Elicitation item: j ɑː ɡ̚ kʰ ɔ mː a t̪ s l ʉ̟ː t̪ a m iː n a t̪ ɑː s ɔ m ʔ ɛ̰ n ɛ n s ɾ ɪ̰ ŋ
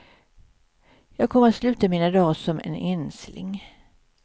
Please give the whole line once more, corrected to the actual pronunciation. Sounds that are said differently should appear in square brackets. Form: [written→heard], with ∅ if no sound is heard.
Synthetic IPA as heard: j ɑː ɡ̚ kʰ ɔ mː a t̪ s l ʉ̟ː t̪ a m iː n a [t̪→d̪] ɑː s ɔ m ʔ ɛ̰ n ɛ n s [ɾ→l] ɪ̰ ŋ